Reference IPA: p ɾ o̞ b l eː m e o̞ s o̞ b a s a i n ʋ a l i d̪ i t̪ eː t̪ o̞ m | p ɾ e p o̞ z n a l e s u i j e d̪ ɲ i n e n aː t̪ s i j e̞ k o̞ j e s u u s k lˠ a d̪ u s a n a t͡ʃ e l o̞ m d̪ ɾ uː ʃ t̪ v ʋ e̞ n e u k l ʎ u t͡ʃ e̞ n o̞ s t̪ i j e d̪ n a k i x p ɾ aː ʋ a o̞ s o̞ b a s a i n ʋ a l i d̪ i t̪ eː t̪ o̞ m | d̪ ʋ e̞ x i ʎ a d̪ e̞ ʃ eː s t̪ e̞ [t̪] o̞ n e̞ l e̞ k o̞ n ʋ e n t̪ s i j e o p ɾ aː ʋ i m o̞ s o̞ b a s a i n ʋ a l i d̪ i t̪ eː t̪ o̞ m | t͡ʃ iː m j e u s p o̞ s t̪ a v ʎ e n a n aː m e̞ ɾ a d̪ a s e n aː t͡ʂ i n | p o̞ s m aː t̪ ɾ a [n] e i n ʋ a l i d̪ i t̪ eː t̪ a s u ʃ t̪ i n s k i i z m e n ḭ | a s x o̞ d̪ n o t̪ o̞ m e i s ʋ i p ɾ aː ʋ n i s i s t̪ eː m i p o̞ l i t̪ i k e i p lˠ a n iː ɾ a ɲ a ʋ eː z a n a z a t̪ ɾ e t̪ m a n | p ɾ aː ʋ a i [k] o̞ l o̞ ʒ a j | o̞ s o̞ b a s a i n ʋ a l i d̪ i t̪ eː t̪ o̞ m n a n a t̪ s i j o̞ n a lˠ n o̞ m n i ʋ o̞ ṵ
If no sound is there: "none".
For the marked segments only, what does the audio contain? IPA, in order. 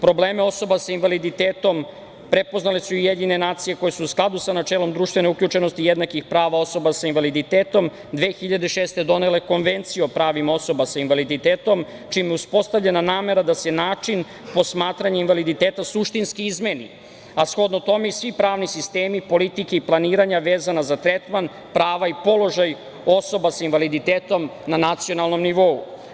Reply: d̪, ɲ, p

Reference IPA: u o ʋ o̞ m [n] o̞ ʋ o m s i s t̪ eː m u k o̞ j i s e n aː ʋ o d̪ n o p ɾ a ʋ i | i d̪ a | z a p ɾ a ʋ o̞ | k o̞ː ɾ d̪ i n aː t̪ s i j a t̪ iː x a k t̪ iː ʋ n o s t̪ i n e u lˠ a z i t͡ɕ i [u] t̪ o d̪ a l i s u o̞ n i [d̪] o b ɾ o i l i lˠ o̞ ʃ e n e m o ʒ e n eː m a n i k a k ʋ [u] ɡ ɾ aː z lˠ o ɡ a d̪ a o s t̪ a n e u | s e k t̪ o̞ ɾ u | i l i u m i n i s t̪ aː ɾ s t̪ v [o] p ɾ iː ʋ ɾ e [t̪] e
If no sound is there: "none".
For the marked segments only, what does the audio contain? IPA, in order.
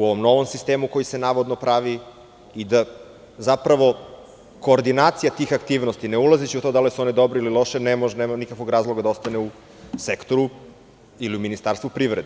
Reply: n, u, d̪, o, u, d̪

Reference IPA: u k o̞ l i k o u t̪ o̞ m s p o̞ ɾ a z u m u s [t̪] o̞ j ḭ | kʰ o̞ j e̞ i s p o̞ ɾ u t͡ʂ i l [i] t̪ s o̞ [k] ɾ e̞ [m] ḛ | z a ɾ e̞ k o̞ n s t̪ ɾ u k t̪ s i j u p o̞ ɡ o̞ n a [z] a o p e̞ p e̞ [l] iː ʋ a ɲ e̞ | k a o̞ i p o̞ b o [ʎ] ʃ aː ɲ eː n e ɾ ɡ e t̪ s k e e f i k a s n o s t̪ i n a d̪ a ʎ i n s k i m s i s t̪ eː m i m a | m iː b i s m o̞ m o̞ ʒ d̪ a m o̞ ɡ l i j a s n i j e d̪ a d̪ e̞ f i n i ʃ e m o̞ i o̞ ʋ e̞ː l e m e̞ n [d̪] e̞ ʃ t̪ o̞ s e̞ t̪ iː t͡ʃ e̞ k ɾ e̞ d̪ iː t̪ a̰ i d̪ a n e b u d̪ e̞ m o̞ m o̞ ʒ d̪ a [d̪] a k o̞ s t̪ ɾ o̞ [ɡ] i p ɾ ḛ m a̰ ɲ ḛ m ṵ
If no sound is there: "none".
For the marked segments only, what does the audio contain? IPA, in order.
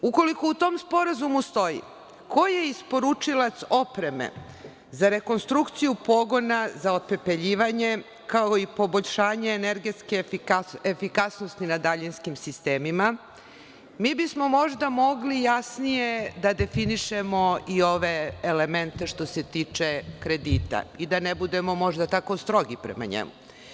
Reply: t̪, a, p, m, z, ʎ, ʎ, t̪, t̪, ɡ

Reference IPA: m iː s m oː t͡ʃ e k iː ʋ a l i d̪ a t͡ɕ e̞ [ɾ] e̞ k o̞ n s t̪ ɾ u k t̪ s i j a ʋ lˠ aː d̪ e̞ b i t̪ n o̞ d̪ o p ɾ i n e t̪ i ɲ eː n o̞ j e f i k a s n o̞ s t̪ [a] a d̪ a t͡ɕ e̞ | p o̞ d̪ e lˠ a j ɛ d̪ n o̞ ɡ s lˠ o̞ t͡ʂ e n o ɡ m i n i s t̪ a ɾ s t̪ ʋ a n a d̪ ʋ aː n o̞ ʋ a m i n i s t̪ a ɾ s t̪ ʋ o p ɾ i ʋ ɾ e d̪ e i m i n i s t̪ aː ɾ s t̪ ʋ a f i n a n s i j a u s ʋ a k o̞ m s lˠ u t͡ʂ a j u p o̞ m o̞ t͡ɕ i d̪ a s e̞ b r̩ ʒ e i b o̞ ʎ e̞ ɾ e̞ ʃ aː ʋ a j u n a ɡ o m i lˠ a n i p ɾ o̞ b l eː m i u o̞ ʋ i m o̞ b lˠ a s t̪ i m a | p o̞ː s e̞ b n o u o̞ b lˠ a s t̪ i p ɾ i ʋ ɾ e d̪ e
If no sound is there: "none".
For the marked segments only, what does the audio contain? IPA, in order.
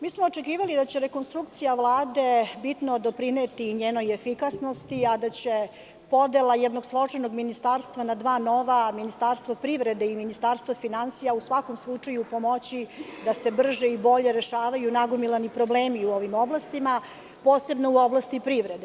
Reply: ɾ, i

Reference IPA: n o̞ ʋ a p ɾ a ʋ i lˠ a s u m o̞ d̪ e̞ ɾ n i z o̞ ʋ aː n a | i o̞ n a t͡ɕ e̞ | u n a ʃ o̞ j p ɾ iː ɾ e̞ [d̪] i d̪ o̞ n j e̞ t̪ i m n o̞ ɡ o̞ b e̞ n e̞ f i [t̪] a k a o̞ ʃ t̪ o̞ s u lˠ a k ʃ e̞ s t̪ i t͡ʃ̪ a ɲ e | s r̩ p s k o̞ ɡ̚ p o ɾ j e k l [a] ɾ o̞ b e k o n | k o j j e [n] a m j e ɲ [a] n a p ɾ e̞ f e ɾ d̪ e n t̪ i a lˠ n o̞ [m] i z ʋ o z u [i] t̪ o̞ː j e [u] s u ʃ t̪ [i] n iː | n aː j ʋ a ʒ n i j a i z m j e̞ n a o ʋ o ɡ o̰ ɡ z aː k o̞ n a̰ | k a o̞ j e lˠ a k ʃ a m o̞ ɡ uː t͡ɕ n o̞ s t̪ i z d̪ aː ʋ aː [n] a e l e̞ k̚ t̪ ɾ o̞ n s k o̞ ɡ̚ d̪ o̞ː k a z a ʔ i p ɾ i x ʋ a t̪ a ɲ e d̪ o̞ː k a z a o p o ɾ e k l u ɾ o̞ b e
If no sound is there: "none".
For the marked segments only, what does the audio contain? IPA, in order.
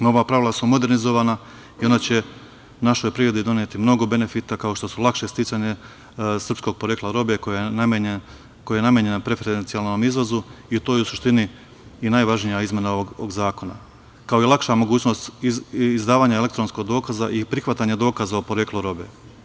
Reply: d̪, t̪, a, n, e, m, i, u, i, ɲ

